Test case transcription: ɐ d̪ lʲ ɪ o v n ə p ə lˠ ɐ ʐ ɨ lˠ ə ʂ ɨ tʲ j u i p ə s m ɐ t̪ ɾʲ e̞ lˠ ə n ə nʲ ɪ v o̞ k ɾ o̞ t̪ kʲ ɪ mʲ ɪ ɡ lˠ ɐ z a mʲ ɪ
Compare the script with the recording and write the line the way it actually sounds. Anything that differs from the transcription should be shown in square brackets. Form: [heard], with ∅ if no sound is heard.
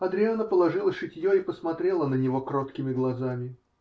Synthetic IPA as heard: ɐ d̪ [ɾʲ] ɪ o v n ə p ə lˠ ɐ ʐ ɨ lˠ ə ʂ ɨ tʲ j [o] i p ə s m ɐ t̪ ɾʲ e̞ lˠ ə n ə nʲ ɪ v o̞ k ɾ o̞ t̪ kʲ ɪ mʲ ɪ ɡ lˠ ɐ z a mʲ ɪ

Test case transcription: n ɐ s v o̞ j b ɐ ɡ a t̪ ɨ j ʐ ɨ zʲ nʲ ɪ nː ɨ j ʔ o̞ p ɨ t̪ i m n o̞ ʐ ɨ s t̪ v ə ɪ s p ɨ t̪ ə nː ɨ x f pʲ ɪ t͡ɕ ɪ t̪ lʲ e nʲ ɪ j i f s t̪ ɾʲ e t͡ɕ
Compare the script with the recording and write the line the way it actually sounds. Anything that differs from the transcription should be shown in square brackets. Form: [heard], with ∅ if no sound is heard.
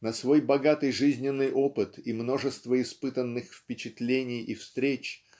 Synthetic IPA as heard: n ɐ s v o̞ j b ɐ ɡ a t̪ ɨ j ʐ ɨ zʲ nʲ ɪ nː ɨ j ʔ o̞ p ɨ t̪ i m n o̞ ʐ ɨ s t̪ v ə ɪ s p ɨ t̪ ə nː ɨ x f pʲ ɪ t͡ɕ ɪ t̪ lʲ e nʲ ɪ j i f s t̪ ɾʲ e t͡ɕ

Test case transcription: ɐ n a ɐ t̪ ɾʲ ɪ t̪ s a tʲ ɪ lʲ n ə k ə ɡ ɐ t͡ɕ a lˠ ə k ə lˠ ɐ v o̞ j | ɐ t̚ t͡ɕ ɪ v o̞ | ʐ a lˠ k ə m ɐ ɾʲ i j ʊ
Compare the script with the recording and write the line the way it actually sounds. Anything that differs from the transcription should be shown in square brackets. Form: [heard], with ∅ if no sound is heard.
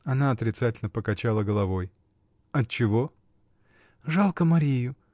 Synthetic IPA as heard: ɐ n a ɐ t̪ ɾʲ ɪ t̪ s a tʲ ɪ lʲ n ə [p] ə [k] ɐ t͡ɕ a lˠ ə [ɡ] ə lˠ ɐ v o̞ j | ɐ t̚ t͡ɕ ɪ v o̞ | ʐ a lˠ k ə m ɐ ɾʲ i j ʊ

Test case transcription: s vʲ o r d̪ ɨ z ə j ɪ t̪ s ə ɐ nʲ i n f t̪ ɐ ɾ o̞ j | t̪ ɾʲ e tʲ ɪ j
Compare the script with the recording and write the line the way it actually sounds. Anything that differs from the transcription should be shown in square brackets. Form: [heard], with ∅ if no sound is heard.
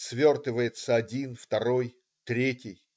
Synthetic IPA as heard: s vʲ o r [t̪] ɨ [v] ə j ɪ t̪ s ə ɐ [dʲ] i n f t̪ ɐ ɾ o̞ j | t̪ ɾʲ e tʲ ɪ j

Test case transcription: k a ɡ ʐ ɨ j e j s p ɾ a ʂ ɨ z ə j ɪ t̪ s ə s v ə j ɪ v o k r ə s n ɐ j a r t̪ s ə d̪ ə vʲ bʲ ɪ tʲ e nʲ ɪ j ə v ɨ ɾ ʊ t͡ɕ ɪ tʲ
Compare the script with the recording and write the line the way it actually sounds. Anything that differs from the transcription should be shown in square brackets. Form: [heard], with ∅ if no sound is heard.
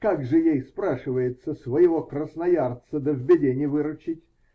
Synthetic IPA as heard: k a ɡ ʐ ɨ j e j s p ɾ a ʂ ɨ [v] ə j ɪ t̪ s ə s v ə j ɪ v o k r ə s n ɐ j a r t̪ s ə d̪ ə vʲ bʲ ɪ [dʲ] e nʲ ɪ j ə v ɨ ɾ ʊ t͡ɕ ɪ tʲ

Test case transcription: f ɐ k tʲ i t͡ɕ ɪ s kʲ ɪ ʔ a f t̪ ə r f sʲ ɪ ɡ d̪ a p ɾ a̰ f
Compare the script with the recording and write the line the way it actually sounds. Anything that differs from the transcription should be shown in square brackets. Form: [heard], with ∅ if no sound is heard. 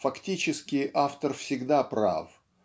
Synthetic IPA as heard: f ɐ k tʲ i t͡ɕ ɪ s kʲ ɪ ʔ a f t̪ ə r f sʲ ɪ ɡ d̪ a p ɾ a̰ f

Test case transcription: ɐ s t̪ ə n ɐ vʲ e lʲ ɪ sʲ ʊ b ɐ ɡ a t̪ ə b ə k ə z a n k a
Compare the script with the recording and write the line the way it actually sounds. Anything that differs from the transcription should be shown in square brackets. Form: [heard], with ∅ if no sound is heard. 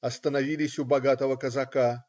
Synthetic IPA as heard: ɐ s t̪ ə n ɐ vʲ [i] lʲ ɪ sʲ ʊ b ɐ ɡ a t̪ ə [v] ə k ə z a [∅] k a

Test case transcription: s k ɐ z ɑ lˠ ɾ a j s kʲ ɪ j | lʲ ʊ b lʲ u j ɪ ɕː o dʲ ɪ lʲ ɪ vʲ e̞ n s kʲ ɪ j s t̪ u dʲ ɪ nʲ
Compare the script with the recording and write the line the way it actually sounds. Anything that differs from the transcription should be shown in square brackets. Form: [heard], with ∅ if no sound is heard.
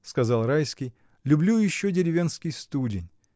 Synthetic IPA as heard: s k ɐ z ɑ lˠ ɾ a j s kʲ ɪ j | lʲ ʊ b lʲ u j ɪ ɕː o dʲ ɪ [ɾʲ] ɪ vʲ e̞ n s kʲ ɪ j s t̪ u dʲ ɪ nʲ

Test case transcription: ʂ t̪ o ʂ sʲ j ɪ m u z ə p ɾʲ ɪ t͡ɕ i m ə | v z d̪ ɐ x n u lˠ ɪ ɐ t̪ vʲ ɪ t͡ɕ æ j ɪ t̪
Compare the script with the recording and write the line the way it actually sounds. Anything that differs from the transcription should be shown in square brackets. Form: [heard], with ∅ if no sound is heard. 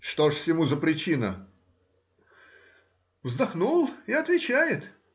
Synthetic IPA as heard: ʂ t̪ o ʂ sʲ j ɪ m u z ə p ɾʲ ɪ t͡ɕ i [n] ə | v z d̪ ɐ x n u lˠ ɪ ɐ t̪ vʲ ɪ t͡ɕ æ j ɪ t̪

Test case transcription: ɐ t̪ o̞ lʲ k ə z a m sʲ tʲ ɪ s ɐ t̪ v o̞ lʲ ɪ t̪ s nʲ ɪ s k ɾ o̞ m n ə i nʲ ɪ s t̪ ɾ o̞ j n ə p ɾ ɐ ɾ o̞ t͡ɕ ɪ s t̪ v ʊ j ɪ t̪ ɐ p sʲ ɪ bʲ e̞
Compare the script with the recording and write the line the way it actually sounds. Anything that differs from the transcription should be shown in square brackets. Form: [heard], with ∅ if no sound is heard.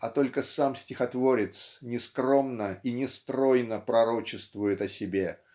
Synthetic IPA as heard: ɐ t̪ o̞ lʲ k ə [s] a m sʲ tʲ ɪ [x] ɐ t̪ v o̞ [ɾʲ] ɪ t̪ s nʲ ɪ s k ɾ o̞ m n ə i nʲ ɪ s t̪ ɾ o̞ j n ə p ɾ ɐ ɾ o̞ t͡ɕ ɪ s t̪ v ʊ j ɪ t̪ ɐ [∅] sʲ ɪ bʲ e̞

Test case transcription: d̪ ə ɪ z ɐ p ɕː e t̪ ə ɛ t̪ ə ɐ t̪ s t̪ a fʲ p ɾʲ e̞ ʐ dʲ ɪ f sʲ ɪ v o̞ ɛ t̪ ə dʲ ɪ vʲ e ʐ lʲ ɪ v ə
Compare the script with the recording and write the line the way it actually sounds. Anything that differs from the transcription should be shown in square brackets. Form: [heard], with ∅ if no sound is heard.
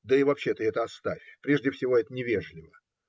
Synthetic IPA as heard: d̪ ə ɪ [v] ɐ p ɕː e t̪ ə ɛ t̪ ə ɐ [∅] s t̪ a fʲ p ɾʲ e̞ ʐ dʲ ɪ f sʲ ɪ v o̞ ɛ t̪ ə [nʲ] ɪ vʲ e ʐ lʲ ɪ v ə

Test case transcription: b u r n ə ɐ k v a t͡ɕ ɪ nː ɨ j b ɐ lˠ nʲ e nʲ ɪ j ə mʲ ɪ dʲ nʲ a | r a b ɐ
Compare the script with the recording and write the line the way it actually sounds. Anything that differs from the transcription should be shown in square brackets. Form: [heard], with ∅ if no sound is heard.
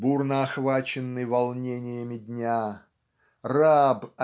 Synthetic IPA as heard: b u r n ə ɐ [x] v a t͡ɕ ɪ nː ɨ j [v] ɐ lˠ nʲ e nʲ ɪ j ə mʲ ɪ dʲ nʲ a | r a b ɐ

